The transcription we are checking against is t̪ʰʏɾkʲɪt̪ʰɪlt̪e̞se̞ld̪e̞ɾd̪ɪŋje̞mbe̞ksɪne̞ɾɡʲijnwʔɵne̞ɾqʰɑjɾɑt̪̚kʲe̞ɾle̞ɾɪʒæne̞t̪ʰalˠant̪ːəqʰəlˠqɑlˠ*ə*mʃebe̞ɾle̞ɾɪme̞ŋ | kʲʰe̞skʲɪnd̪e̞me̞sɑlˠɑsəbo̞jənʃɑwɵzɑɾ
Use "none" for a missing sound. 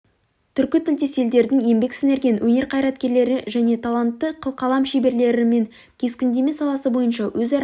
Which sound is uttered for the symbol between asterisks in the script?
ɑ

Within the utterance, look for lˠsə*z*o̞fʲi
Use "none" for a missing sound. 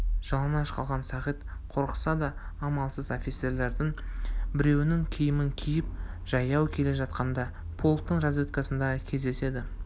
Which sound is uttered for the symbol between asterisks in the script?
z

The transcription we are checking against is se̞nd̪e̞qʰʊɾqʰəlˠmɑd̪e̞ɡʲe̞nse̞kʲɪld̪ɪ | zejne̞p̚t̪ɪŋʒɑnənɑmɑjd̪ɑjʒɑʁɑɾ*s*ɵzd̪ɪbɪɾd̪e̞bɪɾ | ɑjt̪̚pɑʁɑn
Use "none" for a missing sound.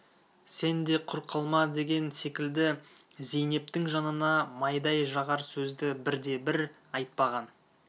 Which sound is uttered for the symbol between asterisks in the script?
s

